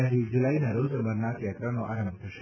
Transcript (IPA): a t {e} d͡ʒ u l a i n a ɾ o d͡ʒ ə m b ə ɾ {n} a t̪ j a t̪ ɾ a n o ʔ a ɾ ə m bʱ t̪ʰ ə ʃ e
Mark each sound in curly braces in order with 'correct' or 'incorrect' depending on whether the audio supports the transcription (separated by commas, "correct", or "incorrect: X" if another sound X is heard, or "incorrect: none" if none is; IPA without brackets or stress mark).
incorrect: i, correct